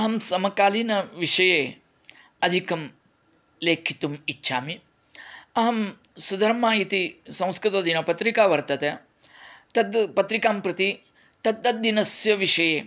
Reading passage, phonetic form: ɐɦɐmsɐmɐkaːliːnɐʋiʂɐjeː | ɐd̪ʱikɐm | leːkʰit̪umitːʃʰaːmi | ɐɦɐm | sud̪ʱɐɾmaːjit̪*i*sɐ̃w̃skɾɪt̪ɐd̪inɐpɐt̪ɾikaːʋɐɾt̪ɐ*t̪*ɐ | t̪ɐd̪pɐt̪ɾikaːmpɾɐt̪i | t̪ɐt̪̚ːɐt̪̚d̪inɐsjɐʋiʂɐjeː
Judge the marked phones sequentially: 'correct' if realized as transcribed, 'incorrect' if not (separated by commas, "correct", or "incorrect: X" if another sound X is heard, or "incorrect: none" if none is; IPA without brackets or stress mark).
correct, correct